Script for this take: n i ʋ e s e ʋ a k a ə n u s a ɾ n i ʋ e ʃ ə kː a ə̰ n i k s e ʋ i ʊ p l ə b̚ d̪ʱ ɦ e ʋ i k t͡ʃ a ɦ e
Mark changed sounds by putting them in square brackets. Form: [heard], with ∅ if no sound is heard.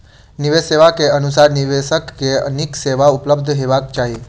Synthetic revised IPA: n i ʋ e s e ʋ a k [e] ə n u s a ɾ n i ʋ e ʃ ə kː [e] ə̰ n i k s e ʋ [a] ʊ p l ə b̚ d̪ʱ ɦ e ʋ [a] k t͡ʃ a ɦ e